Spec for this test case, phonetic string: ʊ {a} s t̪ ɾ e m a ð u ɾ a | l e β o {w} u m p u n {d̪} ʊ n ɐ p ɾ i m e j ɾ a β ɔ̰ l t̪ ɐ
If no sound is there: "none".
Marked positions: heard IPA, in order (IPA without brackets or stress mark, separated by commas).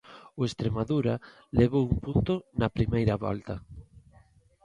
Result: e, w, t̪